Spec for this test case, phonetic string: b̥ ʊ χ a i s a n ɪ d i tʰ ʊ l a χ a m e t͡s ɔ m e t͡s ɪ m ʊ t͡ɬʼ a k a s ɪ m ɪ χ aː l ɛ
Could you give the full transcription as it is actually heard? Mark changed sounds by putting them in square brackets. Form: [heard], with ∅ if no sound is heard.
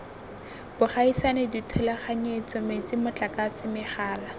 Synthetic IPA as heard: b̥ ʊ χ a i s a n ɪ d i tʰ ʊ l a χ a [ɲ] e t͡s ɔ m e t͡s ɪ m ʊ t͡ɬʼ a k a s ɪ m ɪ χ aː l [a]